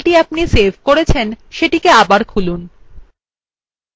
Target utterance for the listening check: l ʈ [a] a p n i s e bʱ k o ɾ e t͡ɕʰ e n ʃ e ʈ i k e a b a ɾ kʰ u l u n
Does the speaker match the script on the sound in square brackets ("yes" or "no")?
no